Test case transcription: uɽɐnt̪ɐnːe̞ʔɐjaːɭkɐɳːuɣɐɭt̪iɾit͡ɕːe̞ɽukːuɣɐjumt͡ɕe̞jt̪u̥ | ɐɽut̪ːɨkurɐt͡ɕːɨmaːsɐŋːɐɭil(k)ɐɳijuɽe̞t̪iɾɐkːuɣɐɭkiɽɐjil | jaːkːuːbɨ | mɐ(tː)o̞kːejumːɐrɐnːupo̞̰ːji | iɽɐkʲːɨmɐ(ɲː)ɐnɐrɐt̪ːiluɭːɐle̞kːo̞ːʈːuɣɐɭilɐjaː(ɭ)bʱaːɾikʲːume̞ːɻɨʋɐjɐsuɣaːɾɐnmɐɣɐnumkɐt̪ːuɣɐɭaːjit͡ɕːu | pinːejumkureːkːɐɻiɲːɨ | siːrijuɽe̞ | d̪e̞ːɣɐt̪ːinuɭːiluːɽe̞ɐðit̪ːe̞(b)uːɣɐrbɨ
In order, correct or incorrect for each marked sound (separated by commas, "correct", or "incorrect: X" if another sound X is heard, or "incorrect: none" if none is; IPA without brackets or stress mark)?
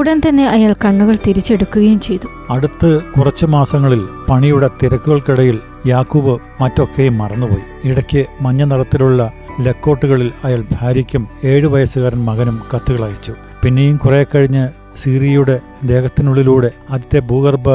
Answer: incorrect: p, correct, correct, correct, correct